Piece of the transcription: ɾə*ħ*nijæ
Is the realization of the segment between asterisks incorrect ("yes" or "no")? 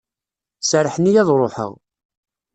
no